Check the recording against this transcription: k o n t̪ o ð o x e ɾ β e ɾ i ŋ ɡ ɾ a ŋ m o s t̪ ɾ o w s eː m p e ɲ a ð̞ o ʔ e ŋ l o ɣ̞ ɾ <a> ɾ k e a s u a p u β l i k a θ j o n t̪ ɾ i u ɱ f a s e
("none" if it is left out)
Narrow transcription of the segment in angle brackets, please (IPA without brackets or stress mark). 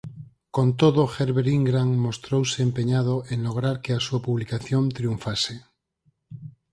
a